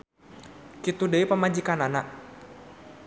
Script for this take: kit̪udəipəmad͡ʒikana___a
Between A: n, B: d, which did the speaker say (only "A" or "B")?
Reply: A